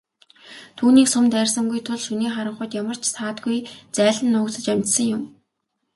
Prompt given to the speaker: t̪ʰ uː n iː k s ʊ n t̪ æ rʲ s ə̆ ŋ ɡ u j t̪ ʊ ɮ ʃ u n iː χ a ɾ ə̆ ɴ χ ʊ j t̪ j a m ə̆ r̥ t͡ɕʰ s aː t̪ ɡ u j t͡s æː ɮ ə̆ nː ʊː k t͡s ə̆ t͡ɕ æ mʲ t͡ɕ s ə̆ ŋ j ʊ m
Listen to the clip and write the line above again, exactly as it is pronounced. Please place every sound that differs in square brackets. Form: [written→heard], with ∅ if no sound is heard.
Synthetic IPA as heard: t̪ʰ uː n iː k s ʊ [n→m] t̪ æ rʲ s ə̆ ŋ ɡ u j [t̪→t̪ʰ] ʊ ɮ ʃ u n iː χ a ɾ ə̆ ɴ χ ʊ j t̪ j a m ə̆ r̥ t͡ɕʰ s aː t̪ ɡ u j t͡s æː ɮ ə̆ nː ʊː k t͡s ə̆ t͡ɕ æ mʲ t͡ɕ s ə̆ ŋ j ʊ m